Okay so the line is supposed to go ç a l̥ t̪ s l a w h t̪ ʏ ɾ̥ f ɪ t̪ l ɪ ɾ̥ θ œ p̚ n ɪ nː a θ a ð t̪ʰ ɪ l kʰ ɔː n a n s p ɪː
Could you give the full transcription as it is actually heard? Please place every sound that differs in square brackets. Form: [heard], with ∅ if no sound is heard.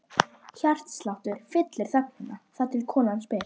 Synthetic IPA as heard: ç a [r̥] t̪ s l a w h t̪ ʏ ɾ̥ f ɪ t̪ l ɪ ɾ̥ θ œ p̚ n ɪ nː a θ a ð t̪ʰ ɪ l kʰ ɔː n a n s p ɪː